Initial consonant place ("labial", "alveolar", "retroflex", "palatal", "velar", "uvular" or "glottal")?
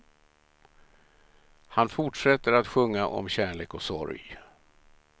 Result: glottal